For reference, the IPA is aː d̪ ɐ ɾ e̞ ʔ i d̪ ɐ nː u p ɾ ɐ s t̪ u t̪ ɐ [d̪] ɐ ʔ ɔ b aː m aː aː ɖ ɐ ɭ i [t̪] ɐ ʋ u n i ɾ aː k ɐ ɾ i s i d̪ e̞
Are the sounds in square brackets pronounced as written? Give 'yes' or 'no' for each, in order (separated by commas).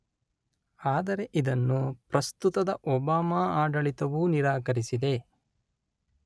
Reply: yes, yes